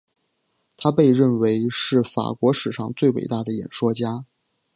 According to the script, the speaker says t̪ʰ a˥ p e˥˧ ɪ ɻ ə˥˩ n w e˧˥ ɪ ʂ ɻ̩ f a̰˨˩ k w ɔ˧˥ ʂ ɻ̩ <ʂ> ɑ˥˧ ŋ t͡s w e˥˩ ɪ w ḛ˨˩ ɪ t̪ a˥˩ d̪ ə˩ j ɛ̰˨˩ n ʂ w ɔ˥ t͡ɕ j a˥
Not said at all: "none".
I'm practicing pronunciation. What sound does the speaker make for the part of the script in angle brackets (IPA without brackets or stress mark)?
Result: ʂ